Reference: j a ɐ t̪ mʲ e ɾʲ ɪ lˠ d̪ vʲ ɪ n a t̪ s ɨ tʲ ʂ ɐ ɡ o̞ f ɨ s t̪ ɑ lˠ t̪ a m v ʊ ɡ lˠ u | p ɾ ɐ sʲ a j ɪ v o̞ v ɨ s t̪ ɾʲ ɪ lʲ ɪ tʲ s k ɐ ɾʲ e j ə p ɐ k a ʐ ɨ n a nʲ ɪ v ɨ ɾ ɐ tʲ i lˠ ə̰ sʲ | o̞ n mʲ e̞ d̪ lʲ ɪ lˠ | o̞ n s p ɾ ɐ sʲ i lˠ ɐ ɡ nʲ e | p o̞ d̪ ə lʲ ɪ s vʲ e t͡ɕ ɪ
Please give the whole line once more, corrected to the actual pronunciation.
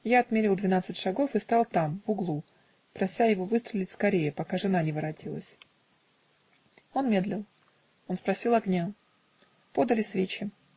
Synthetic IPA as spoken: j a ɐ t̪ mʲ e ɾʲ ɪ lˠ d̪ vʲ ɪ n a t̪ s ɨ tʲ ʂ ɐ ɡ o̞ f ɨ s t̪ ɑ lˠ t̪ a m v ʊ ɡ lˠ u | p ɾ ɐ sʲ a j ɪ v o̞ v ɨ s t̪ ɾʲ ɪ lʲ ɪ tʲ s k ɐ ɾʲ e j ə p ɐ k a ʐ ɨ n a nʲ ɪ v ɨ ɾ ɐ tʲ i lˠ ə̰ sʲ | o̞ n mʲ e̞ d̪ lʲ ɪ lˠ | o̞ n s p ɾ ɐ sʲ i lˠ ɐ ɡ nʲ a | p o̞ d̪ ə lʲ ɪ s vʲ e t͡ɕ ɪ

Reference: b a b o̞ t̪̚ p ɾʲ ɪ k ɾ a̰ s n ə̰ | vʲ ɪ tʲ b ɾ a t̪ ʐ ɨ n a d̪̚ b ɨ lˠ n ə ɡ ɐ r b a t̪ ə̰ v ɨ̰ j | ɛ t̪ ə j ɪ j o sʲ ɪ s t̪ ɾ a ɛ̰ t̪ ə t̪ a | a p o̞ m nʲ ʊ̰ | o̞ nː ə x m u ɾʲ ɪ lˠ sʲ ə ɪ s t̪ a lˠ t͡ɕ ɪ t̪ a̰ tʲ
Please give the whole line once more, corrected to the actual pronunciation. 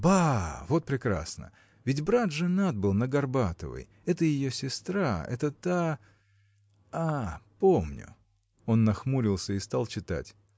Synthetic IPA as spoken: b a v o̞ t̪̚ p ɾʲ ɪ k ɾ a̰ s n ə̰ | vʲ ɪ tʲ b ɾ a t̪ ʐ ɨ n a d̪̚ b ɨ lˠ n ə ɡ ɐ r b a t̪ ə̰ v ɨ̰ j | ɛ t̪ ə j ɪ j o sʲ ɪ s t̪ ɾ a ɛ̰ t̪ ə t̪ a | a p o̞ m nʲ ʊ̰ | o̞ nː ɐ x m u ɾʲ ɪ lˠ sʲ ə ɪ s t̪ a lˠ t͡ɕ ɪ t̪ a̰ tʲ

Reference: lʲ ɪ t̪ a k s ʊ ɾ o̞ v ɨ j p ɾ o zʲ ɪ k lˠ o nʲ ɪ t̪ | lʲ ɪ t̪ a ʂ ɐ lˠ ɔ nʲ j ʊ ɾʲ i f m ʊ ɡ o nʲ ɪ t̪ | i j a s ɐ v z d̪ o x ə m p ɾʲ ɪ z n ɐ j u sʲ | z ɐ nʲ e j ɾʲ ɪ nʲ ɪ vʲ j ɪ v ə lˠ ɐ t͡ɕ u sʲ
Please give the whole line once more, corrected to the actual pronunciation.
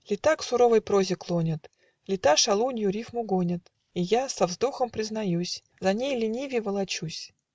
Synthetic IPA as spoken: lʲ ɪ t̪ a k s ʊ ɾ o̞ v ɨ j p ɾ o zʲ ɪ k lˠ o nʲ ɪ t̪ | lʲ ɪ t̪ a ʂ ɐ lˠ u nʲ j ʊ ɾʲ i f m ʊ ɡ o nʲ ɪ t̪ | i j a s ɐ v z d̪ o x ə m p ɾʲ ɪ z n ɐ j u sʲ | z ɐ nʲ e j lʲ ɪ nʲ i vʲ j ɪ v ə lˠ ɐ t͡ɕ u sʲ

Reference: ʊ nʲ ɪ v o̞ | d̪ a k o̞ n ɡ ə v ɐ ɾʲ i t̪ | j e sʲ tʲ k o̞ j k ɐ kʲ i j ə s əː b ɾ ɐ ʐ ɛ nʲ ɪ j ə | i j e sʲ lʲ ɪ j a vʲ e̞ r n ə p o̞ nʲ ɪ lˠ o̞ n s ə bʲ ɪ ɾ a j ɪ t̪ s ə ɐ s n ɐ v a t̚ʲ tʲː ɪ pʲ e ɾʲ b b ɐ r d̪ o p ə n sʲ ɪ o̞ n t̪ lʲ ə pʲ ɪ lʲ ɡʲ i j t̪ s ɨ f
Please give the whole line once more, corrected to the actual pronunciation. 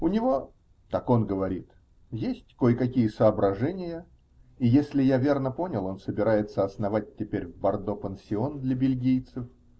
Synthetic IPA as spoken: ʊ nʲ ɪ v o̞ | t̪ a k o̞ n ɡ ə v ɐ ɾʲ i t̪ | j e sʲ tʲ k o̞ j k ɐ kʲ i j ə s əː b ɾ ɐ ʐ ɛ nʲ ɪ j ə | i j e sʲ lʲ ɪ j a vʲ e̞ r n ə p o̞ nʲ ɪ lˠ o̞ n s ə bʲ ɪ ɾ a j ɪ t̪ s ə ɐ s n ɐ v a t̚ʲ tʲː ɪ pʲ e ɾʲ v b ɐ r d̪ o p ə n sʲ ɪ o̞ n d̪ lʲ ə bʲ ɪ lʲ ɡʲ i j t̪ s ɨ f

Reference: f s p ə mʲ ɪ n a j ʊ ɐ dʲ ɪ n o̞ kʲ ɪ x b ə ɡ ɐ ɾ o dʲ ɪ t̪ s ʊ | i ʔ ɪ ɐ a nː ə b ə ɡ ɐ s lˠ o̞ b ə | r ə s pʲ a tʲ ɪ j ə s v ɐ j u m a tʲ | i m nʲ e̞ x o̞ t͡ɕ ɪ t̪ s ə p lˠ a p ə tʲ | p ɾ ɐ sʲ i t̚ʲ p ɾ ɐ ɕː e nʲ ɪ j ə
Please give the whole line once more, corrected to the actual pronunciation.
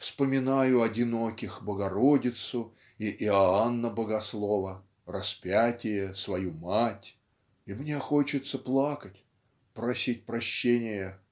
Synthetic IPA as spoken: f s p ə mʲ ɪ n a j ʊ ɐ dʲ ɪ n o̞ kʲ ɪ x b ə ɡ ɐ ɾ o dʲ ɪ t̪ s ʊ | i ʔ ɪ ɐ a nː ə b ə ɡ ɐ s lˠ o̞ v ə | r ɐ s pʲ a tʲ ɪ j ə s v ɐ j u m a tʲ | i m nʲ e̞ x o̞ t͡ɕ ɪ t̪ s ə p lˠ a k ə tʲ | p ɾ ɐ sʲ i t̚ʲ p ɾ ɐ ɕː e nʲ ɪ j ə

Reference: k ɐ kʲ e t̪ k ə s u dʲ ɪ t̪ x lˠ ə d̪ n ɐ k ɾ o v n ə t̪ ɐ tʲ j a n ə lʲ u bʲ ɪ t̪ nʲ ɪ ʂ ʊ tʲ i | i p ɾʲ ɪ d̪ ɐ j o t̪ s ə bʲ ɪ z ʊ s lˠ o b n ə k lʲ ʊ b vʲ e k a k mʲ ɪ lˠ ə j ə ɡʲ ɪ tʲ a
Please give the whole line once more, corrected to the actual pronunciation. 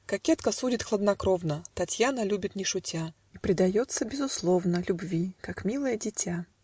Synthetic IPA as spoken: k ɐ kʲ e t̪ k ə s u dʲ ɪ t̪ x lˠ ə d̪ n ɐ k ɾ o v n ə t̪ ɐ tʲ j a n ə lʲ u bʲ ɪ t̪ nʲ ɪ ʂ ʊ tʲ a | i p ɾʲ ɪ d̪ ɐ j o t̪ s ə bʲ ɪ z ʊ s lˠ o v n ə lʲ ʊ b vʲ i k a k mʲ i lˠ ə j ə dʲ ɪ tʲ a

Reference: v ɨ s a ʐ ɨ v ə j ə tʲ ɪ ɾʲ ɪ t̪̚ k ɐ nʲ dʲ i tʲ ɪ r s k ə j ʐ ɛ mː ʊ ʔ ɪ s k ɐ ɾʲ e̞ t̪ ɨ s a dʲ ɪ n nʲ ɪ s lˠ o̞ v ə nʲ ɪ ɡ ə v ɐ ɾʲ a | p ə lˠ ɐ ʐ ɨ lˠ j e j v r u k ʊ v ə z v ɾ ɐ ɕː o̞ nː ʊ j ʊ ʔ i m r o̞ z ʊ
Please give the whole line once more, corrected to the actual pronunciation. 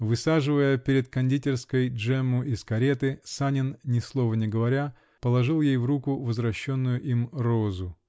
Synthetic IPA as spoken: v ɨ s a ʐ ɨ v ə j ə pʲ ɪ ɾʲ ɪ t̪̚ k ɐ nʲ dʲ i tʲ ɪ r s k ə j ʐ ɛ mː ʊ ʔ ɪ s k ɐ ɾʲ e̞ t̪ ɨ s a nʲ ɪ n nʲ ɪ s lˠ o̞ v ə nʲ ɪ ɡ ə v ɐ ɾʲ a | p ə lˠ ɐ ʐ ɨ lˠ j e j v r u k ʊ v ə z v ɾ ɐ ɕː o̞ nː ʊ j ʊ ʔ i m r o̞ z ʊ

